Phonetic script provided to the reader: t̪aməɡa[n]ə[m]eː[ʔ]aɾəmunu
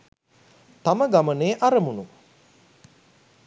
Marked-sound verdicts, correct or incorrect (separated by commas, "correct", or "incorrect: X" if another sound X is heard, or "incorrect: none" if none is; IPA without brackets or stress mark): incorrect: m, incorrect: n, correct